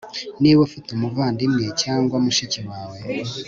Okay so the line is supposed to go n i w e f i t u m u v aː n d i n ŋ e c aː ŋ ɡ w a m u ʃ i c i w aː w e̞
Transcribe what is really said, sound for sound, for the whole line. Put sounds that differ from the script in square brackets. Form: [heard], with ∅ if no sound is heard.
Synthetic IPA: n i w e f i t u m u v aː n d i [m] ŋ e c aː ŋ ɡ w a m u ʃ i c i w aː w e̞

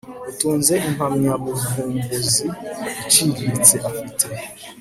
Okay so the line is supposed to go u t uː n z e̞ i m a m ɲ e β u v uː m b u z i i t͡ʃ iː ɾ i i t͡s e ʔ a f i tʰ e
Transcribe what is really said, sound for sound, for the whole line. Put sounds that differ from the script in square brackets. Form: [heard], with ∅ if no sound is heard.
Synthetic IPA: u t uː n z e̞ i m a m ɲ [a] β u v uː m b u z i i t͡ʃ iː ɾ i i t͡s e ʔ a f i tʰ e

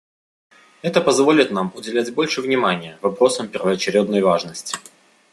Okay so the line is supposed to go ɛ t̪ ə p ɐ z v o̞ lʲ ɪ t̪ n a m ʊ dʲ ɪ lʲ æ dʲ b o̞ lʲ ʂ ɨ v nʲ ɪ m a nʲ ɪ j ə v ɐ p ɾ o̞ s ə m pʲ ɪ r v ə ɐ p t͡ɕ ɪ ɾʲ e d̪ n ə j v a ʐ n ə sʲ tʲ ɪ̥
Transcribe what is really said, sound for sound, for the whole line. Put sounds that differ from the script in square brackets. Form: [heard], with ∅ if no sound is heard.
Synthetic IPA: ɛ t̪ ə p ɐ z v o̞ lʲ ɪ t̪ n a m ʊ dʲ ɪ lʲ æ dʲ b o̞ lʲ ʂ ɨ v nʲ ɪ m a nʲ ɪ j ə v ɐ p ɾ o̞ s ə m pʲ ɪ r v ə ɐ [∅] t͡ɕ ɪ ɾʲ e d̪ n ə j v a ʐ n ə sʲ tʲ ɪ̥

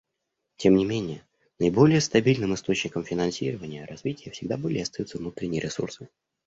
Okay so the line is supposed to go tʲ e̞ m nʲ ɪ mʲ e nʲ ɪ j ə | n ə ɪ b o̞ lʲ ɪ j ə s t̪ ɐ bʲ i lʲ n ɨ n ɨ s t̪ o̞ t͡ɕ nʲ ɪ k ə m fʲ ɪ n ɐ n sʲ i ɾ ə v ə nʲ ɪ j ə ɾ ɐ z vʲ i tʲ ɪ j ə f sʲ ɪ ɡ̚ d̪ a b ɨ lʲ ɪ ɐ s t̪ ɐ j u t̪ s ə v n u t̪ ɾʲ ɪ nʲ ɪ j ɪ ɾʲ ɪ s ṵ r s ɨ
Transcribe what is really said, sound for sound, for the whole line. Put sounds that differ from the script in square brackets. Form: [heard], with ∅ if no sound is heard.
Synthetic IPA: tʲ e̞ m nʲ ɪ mʲ e nʲ ɪ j ə | n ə ɪ b o̞ lʲ ɪ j ə s t̪ ɐ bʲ i lʲ n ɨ [m] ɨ s t̪ o̞ t͡ɕ nʲ ɪ k ə m fʲ ɪ n ɐ n sʲ i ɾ ə v ə nʲ ɪ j ə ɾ ɐ z vʲ i tʲ ɪ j ə f sʲ ɪ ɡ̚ d̪ a b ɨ lʲ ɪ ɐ s t̪ ɐ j u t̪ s ə v n u t̪ ɾʲ ɪ nʲ ɪ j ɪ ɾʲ ɪ s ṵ r s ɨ

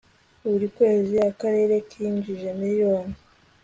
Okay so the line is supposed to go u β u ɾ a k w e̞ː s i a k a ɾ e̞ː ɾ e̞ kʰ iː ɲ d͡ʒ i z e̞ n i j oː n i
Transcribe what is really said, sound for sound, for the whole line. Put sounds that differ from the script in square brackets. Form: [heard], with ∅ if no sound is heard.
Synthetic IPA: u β u ɾ [i] k w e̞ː [z] i a k a ɾ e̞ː ɾ e̞ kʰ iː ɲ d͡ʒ i [ʒ] e̞ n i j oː n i

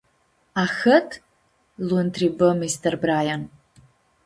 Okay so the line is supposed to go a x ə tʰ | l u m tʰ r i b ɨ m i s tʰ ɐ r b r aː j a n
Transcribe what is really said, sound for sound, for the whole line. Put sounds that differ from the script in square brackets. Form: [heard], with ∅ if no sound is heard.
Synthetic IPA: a x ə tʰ | l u [n] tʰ r i b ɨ m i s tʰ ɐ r b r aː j a n

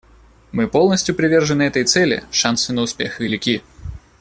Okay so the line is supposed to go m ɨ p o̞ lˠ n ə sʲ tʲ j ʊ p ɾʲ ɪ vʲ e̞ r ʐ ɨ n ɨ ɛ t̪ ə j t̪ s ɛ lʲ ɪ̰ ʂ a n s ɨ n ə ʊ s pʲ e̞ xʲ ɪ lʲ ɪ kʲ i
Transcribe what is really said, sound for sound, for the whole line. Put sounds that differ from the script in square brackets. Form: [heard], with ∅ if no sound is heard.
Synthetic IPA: m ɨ p o̞ lˠ n ə sʲ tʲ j ʊ p ɾʲ ɪ vʲ e̞ r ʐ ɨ n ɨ ɛ t̪ ə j t̪ s ɛ lʲ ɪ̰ ʂ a n s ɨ n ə ʊ s pʲ e̞ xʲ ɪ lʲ ɪ kʲ i

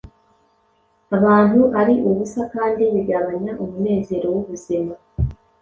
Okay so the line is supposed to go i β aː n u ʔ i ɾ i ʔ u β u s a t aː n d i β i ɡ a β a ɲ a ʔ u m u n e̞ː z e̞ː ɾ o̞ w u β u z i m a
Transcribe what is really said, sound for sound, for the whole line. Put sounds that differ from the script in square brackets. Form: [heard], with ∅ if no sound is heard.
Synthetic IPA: [a] β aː n u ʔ [a] ɾ i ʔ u β u s a [k] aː n d i β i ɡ a β a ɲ a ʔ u m u n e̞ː z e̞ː ɾ o̞ w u β u z i m a

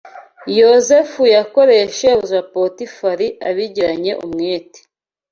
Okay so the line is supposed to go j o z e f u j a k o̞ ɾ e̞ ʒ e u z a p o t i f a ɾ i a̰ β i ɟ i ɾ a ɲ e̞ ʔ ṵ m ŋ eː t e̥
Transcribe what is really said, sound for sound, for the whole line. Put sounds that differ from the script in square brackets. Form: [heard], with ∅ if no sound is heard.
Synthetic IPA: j o z e f u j a k o̞ ɾ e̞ [ʃ] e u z a p o t i f a ɾ i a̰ β i ɟ i ɾ a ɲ e̞ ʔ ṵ m ŋ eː t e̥

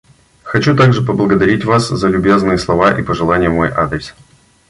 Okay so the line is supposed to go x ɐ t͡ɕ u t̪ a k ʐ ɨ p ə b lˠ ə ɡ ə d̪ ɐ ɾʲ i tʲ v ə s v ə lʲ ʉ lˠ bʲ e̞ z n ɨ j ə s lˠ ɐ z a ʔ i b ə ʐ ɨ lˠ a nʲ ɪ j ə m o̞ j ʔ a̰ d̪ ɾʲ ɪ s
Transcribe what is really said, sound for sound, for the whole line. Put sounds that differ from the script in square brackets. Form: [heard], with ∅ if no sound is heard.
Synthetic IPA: x ɐ t͡ɕ u t̪ a [ɡ] ʐ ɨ p ə b lˠ ə ɡ ə d̪ ɐ ɾʲ i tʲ v [a] s [z] ə lʲ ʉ [∅] bʲ e̞ z n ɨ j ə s lˠ ɐ [v] a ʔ i [p] ə ʐ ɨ lˠ a nʲ ɪ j ə m o̞ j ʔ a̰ d̪ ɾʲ ɪ s

